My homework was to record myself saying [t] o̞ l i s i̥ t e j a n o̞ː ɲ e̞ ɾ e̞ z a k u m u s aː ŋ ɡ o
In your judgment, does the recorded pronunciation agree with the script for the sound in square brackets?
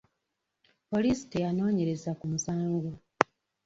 no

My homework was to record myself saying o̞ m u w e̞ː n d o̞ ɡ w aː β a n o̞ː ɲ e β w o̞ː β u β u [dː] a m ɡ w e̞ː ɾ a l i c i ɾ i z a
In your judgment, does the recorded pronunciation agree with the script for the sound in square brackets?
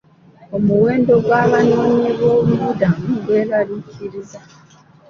no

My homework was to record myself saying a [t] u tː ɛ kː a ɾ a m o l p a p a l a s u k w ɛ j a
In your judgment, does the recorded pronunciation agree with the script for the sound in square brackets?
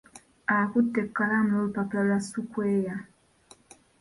no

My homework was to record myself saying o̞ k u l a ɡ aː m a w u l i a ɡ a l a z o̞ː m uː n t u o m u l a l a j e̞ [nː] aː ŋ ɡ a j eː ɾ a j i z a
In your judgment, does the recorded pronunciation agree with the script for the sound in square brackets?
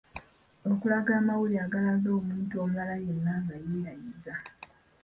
yes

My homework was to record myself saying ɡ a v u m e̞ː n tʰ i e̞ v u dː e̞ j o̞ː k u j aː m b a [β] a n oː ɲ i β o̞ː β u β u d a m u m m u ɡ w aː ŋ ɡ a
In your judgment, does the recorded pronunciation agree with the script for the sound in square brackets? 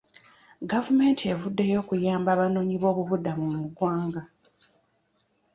yes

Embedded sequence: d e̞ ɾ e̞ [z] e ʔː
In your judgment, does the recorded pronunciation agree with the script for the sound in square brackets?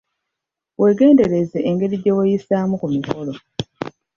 yes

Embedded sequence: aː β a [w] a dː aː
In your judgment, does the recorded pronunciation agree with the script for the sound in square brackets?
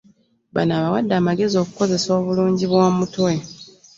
yes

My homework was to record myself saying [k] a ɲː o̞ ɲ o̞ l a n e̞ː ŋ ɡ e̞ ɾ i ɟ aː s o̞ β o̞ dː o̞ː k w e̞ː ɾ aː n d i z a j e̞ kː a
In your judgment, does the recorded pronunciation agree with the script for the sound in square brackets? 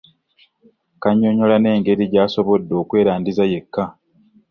yes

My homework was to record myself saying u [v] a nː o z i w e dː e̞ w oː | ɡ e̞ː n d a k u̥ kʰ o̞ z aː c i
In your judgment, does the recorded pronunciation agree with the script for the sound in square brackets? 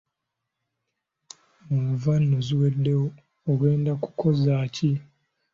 yes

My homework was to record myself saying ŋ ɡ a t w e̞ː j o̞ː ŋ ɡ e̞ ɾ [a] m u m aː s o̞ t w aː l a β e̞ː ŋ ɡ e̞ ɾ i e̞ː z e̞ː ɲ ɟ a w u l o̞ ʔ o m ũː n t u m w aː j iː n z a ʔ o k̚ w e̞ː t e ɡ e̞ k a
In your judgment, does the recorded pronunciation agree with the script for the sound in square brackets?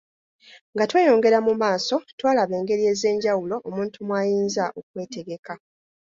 yes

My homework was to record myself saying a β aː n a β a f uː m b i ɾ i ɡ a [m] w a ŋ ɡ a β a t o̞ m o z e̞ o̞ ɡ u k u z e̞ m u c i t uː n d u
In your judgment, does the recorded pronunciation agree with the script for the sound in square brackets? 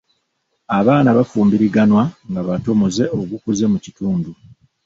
no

